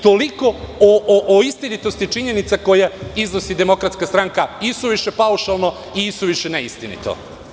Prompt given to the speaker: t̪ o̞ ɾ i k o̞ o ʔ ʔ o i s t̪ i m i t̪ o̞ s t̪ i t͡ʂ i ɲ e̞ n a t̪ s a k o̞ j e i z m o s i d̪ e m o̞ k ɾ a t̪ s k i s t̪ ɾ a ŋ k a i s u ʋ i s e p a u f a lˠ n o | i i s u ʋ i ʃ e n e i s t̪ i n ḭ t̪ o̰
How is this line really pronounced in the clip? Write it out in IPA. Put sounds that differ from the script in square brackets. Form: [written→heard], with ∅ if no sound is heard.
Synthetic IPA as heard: t̪ o̞ [ɾ→l] i k o̞ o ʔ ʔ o i s t̪ i [m→n] i t̪ o̞ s t̪ i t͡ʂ i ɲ e̞ n [a→i] t̪ s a k o̞ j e i z [m→n] o s i d̪ e m o̞ k ɾ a t̪ s k [i→a] s t̪ ɾ a ŋ k a i s u ʋ i [s→ʃ] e p a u [f→ʃ] a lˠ n o | i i s u ʋ i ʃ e n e i s t̪ i n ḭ t̪ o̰